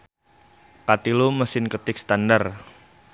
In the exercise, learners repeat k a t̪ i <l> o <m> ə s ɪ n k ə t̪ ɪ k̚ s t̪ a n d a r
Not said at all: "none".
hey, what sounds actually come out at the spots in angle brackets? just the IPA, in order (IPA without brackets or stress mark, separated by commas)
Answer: l, m